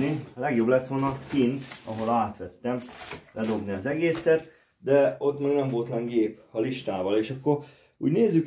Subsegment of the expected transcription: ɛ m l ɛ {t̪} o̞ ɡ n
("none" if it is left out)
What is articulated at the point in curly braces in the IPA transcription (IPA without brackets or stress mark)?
d̪